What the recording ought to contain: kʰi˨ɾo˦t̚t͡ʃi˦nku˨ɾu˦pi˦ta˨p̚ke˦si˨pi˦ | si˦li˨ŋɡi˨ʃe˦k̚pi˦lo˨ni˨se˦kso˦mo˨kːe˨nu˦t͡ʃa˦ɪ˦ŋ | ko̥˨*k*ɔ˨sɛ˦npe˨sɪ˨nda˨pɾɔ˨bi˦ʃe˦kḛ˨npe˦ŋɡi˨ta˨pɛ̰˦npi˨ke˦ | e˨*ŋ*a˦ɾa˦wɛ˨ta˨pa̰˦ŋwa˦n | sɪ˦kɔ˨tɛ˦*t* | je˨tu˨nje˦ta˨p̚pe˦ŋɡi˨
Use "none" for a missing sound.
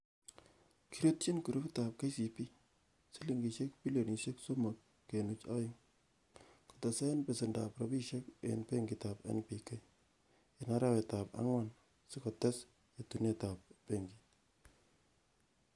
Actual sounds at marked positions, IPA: t, n, s

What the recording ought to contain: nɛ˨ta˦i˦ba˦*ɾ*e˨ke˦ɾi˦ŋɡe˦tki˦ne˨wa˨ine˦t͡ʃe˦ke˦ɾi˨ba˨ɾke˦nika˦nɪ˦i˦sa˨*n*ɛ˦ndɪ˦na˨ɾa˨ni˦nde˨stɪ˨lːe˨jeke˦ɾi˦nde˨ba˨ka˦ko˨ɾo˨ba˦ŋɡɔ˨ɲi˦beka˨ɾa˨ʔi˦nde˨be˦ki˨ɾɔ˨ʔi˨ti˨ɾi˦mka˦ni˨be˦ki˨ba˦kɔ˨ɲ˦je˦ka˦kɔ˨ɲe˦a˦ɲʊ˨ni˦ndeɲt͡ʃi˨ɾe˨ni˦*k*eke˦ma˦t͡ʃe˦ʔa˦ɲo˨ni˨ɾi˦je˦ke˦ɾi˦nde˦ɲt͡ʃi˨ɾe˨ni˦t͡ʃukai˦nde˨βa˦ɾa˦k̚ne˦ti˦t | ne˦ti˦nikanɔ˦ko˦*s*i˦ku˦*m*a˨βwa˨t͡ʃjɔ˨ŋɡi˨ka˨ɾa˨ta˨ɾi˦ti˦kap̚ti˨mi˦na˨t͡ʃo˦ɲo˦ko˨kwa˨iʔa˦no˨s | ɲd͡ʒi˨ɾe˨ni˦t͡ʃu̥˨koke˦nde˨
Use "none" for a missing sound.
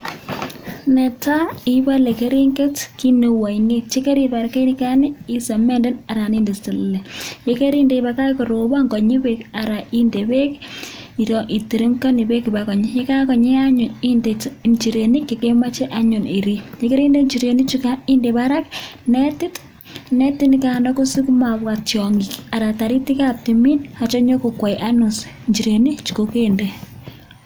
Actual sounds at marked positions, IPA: l, m, k, s, m

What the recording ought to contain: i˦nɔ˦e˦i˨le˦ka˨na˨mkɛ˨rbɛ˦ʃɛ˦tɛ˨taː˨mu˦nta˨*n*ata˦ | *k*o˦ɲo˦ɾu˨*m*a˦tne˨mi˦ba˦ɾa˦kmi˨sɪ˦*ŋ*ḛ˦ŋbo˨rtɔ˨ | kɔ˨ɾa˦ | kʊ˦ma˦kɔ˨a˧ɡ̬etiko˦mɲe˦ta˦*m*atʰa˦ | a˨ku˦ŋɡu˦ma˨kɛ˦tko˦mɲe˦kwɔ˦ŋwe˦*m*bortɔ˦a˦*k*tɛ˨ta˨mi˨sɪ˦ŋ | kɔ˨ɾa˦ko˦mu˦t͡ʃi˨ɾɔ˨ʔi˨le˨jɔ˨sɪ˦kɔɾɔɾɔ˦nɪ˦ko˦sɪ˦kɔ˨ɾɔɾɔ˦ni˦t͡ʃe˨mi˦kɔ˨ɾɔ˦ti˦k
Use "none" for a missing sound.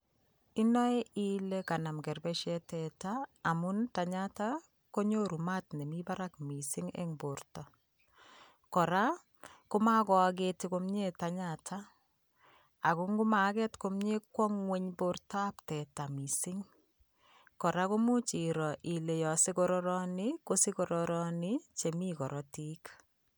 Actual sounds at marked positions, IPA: ɲ, k, m, ŋ, ɲ, ɲ, p

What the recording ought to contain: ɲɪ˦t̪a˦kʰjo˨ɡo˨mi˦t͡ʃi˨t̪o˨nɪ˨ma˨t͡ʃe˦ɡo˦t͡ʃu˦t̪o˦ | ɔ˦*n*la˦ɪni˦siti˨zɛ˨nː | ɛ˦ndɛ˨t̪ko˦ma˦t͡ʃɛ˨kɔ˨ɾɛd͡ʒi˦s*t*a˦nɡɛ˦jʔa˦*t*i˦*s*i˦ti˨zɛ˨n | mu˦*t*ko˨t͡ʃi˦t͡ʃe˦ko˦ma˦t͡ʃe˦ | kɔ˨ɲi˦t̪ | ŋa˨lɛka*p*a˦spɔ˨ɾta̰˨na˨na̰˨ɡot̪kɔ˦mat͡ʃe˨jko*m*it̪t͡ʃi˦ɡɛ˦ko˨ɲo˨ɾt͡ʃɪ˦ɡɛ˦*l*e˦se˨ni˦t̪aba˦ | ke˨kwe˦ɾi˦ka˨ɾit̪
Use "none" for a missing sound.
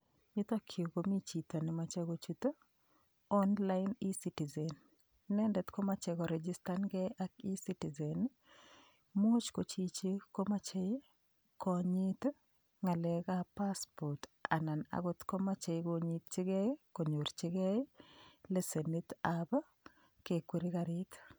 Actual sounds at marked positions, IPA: n, t, k, s, t͡ʃ, p, ɲ, l

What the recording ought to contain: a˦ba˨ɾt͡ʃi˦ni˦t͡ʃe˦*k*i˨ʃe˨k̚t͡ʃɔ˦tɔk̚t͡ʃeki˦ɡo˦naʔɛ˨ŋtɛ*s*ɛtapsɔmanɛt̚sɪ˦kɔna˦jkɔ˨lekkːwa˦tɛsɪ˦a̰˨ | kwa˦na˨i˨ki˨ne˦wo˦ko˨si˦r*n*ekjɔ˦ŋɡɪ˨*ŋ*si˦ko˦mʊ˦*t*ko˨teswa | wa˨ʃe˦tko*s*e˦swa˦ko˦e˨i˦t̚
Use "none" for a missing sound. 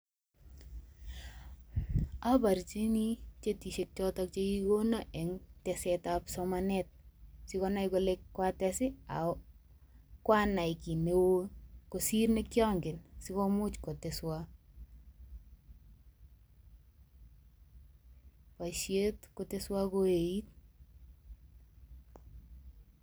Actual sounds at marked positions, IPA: t, s, n, n, t͡ʃ, t

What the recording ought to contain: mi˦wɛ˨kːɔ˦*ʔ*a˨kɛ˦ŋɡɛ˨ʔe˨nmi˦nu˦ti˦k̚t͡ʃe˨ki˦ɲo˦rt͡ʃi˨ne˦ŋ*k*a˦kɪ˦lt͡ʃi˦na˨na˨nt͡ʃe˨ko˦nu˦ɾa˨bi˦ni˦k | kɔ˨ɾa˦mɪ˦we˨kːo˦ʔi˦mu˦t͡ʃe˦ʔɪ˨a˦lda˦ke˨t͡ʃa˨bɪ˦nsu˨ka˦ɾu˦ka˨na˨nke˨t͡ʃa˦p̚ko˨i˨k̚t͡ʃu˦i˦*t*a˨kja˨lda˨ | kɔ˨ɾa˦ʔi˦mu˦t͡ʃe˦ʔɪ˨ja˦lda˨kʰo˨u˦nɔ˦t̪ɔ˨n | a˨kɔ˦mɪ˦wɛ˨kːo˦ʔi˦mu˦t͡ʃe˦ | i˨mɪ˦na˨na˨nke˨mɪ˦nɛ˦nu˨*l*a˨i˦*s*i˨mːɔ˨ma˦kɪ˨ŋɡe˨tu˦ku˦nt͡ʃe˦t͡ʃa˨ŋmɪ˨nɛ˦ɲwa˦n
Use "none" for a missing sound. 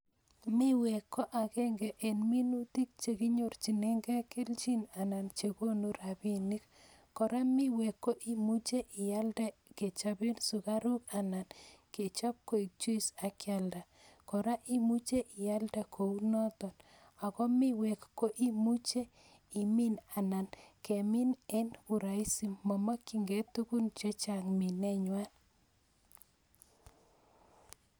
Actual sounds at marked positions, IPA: ʔ, ɡ, s, ɾ, s

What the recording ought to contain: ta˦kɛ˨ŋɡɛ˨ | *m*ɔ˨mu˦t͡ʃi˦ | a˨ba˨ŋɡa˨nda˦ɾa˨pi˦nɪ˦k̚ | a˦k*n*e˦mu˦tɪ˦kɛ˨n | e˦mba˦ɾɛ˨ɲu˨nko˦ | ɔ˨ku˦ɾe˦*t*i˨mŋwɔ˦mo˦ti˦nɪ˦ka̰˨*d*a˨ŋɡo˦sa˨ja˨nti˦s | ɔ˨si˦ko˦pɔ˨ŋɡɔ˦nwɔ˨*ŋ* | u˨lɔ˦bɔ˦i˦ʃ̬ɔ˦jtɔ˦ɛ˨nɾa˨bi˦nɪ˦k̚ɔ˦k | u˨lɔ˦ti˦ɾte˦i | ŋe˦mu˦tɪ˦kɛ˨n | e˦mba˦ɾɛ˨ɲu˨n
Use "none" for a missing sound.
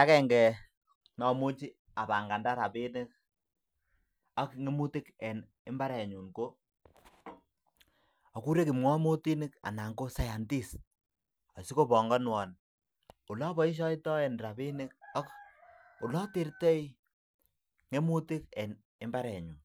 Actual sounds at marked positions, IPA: n, ŋ, k, n, n

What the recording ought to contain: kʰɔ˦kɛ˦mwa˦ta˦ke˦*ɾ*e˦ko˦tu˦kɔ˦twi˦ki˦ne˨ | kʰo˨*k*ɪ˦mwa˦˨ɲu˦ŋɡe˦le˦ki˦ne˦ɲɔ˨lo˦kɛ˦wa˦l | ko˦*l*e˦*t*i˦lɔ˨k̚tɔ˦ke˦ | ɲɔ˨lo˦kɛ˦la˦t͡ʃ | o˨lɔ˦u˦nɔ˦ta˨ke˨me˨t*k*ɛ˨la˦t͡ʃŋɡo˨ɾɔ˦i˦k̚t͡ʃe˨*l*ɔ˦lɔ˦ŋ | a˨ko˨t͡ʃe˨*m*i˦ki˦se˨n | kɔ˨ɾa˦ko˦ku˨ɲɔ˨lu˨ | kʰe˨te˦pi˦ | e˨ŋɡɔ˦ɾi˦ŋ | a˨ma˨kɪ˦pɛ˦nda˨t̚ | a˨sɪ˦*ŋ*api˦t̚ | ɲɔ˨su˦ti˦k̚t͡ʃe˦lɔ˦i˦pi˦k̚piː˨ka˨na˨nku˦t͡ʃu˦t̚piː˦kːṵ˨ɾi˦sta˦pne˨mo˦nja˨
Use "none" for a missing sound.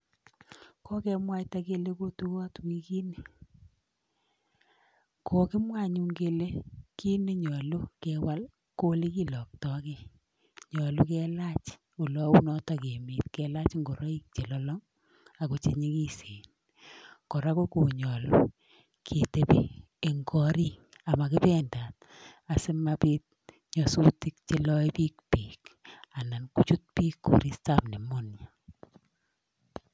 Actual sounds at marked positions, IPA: l, k, l, k, k, l, ɲ, m

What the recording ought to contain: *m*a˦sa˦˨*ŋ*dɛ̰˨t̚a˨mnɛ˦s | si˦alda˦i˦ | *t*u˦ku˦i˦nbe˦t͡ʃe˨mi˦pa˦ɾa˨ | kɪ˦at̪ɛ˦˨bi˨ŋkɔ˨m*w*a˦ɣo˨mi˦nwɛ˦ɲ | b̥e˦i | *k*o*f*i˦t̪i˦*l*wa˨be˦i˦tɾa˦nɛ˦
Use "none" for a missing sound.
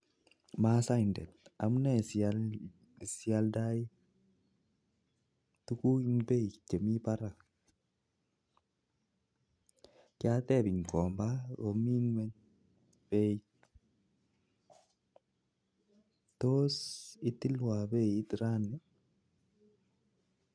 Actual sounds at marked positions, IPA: m, n, t, b, t, s, l

